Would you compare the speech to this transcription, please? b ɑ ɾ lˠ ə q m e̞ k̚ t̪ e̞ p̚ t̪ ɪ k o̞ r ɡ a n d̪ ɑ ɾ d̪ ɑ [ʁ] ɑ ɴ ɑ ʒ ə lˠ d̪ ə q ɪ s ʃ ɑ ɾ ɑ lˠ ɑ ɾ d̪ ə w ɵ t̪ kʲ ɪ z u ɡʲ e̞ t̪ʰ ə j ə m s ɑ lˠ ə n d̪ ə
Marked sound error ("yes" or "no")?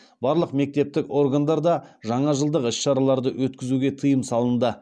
yes